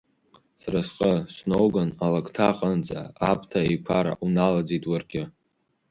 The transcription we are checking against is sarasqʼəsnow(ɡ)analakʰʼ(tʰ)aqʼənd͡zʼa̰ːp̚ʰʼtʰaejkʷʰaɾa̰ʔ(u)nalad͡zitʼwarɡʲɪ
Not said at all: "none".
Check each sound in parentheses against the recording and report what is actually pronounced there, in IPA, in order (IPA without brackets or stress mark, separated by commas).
ɡ, tʰ, u